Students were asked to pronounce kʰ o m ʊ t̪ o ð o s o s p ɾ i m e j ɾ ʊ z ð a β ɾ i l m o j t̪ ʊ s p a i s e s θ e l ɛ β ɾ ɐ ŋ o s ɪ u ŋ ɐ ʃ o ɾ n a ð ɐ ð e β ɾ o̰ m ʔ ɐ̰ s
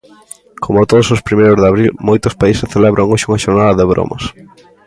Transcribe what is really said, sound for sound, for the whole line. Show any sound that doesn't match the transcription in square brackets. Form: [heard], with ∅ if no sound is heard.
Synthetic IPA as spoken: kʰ o m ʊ t̪ o ð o s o s p ɾ i m e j ɾ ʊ z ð a β ɾ i l m o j t̪ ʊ s p a i s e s θ e l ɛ β ɾ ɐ ŋ o [ʃ] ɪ u ŋ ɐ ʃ o ɾ n a ð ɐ ð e β ɾ o̰ m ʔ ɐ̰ s